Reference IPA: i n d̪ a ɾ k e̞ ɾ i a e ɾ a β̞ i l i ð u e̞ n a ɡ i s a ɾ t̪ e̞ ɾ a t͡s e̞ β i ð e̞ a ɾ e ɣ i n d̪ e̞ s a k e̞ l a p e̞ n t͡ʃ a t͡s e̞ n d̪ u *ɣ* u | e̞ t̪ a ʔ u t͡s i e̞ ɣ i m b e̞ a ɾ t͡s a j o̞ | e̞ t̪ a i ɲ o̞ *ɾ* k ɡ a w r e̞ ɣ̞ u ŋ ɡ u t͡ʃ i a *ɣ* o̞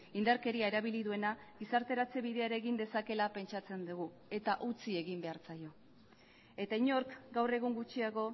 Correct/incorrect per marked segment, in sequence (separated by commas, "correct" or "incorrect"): correct, correct, correct